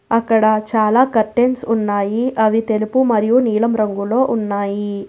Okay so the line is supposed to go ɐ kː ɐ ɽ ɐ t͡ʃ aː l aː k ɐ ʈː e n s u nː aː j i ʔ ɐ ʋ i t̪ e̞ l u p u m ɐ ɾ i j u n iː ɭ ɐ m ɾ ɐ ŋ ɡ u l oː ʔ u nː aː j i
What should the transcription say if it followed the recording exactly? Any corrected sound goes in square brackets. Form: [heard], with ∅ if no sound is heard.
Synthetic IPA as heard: ɐ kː ɐ ɽ ɐ t͡ʃ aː l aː k ɐ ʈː e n s u nː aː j i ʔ ɐ ʋ i t̪ e̞ l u p u m ɐ ɾ i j u n iː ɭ ɐ m ɾ ɐ ŋ ɡ u l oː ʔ u nː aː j i